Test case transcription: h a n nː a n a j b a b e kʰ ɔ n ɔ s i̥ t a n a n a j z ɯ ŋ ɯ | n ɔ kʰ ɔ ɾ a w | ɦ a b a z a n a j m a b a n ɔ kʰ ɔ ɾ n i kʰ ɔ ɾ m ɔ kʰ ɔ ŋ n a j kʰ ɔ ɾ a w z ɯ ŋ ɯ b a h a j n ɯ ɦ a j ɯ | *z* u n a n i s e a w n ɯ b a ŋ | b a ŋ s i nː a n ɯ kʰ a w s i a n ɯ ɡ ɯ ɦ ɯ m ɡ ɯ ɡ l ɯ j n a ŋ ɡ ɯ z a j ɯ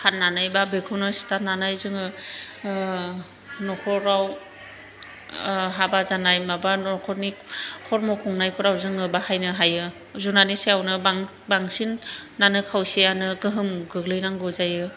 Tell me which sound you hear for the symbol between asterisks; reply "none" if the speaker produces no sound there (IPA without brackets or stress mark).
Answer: z